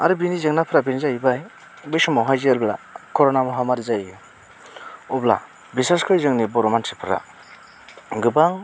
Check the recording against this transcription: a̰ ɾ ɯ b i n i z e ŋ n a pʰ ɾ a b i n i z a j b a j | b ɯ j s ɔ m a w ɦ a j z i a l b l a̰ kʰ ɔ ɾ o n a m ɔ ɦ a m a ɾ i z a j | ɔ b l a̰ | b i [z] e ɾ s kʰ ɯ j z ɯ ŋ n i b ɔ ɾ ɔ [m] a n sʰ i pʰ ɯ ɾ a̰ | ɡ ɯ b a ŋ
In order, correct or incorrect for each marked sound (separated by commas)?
incorrect, correct